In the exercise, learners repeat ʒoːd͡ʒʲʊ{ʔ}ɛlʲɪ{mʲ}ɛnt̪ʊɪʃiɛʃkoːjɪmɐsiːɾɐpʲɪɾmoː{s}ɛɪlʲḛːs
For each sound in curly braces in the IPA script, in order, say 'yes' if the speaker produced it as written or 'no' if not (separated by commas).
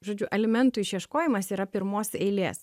yes, yes, yes